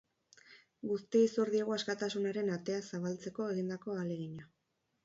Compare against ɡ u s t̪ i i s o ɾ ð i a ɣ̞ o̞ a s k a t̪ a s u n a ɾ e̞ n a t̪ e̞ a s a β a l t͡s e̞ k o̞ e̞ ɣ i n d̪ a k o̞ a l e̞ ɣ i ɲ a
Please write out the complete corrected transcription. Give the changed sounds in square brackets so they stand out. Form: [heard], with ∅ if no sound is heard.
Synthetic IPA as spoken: ɡ u s t̪ i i s o ɾ ð i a ɣ̞ o̞ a s k a t̪ a s u n a ɾ e̞ n a t̪ e̞ a s a β a l t͡s e̞ k o̞ e̞ ɣ i n d̪ a k o̞ a l e̞ ɣ i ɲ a